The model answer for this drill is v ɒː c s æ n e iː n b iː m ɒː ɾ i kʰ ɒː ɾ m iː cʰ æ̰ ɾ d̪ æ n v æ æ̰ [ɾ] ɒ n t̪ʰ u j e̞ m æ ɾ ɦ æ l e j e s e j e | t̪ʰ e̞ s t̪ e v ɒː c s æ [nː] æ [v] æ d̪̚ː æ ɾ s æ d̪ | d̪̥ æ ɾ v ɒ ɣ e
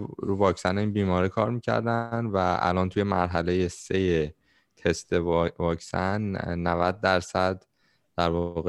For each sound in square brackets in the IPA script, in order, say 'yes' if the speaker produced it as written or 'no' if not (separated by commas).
no, yes, yes